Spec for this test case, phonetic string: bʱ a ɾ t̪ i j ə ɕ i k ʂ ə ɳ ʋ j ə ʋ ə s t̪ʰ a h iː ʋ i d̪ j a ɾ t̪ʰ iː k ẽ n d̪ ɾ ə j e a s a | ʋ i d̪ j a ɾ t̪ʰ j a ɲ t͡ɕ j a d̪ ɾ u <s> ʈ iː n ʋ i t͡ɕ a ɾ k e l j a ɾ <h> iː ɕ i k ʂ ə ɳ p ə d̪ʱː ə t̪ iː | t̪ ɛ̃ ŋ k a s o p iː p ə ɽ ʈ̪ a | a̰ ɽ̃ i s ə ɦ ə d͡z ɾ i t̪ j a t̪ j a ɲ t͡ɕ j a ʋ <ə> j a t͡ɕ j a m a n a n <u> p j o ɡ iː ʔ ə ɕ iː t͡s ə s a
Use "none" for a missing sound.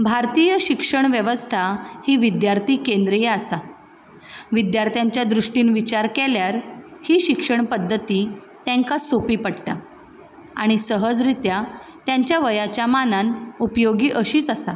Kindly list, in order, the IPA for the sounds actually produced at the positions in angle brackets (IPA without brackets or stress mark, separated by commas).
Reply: ʂ, h, ə, u